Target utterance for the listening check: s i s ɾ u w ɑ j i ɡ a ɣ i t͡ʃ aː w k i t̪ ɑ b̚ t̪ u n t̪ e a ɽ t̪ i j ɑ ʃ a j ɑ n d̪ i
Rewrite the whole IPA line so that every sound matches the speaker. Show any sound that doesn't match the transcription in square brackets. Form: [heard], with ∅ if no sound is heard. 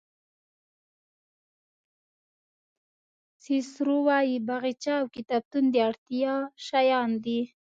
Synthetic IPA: s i s ɾ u w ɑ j i [b] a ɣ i t͡ʃ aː w k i t̪ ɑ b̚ t̪ u n [d̪] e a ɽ t̪ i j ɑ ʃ a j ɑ n d̪ i